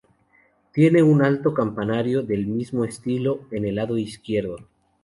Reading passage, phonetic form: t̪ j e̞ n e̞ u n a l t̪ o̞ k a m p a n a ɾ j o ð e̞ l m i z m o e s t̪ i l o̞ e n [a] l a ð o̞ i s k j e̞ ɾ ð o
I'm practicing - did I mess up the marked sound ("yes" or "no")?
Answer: yes